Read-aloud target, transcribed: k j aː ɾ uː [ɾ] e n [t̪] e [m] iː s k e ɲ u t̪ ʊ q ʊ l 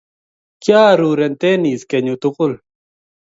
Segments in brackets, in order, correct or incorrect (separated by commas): correct, correct, incorrect